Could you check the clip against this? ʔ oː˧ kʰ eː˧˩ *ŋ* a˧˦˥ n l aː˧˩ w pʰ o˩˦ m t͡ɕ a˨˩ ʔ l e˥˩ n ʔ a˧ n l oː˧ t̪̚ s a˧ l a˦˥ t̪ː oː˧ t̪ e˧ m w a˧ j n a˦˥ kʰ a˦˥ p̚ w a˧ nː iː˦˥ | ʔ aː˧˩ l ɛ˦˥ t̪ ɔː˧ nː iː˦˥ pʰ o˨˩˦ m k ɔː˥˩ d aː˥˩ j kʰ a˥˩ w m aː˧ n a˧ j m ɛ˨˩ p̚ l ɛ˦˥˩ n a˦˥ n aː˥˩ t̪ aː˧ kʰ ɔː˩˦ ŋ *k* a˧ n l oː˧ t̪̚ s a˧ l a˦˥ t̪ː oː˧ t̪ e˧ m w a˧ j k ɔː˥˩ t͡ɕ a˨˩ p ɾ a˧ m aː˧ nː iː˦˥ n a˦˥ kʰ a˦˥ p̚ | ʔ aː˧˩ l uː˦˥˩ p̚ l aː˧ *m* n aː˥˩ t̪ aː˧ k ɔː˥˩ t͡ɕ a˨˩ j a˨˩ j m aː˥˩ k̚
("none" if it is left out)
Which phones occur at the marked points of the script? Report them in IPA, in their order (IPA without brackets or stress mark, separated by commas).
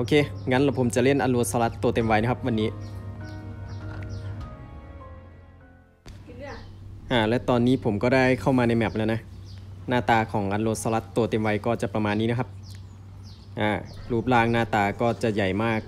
ŋ, ʔ, ŋ